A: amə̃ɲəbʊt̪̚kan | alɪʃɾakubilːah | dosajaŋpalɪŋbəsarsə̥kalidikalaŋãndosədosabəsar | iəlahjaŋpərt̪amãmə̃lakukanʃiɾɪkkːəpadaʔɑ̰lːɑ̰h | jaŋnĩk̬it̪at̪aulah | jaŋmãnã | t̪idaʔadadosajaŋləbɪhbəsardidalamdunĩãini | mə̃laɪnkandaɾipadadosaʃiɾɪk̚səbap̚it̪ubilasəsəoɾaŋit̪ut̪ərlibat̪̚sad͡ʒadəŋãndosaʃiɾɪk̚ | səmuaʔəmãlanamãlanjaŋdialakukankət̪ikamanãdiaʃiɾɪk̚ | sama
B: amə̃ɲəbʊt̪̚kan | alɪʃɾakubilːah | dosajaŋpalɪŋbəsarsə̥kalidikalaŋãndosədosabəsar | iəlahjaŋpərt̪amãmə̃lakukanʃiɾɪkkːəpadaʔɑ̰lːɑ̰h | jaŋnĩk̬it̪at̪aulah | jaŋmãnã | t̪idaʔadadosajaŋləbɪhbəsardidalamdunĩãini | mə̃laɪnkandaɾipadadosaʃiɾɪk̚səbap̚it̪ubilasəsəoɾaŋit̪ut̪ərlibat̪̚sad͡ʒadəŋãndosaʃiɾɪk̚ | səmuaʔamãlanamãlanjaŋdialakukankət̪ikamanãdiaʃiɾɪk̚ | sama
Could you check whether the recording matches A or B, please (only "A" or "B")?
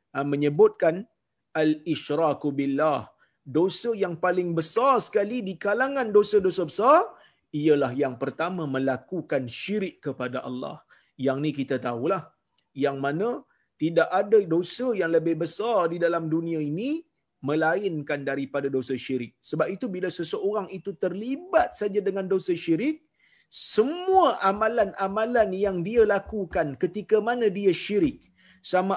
B